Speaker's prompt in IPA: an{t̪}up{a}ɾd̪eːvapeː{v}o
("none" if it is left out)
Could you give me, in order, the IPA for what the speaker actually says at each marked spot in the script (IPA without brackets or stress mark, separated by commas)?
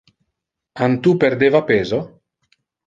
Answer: t̪, e, z